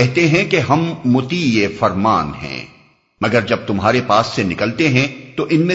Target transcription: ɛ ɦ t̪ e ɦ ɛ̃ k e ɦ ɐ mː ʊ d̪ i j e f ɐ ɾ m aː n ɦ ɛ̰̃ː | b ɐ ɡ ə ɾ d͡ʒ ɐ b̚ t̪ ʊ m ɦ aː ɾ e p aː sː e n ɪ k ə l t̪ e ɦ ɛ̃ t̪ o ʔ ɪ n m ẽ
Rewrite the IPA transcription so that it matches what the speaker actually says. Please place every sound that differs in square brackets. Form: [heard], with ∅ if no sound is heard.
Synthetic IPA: ɛ ɦ t̪ e ɦ ɛ̃ k e ɦ ɐ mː ʊ [t̪] i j e f ɐ ɾ m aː n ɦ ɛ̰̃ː | [m] ɐ ɡ ə ɾ d͡ʒ ɐ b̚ t̪ ʊ m ɦ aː ɾ e p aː sː e n ɪ k ə l t̪ e ɦ ɛ̃ t̪ o ʔ ɪ n m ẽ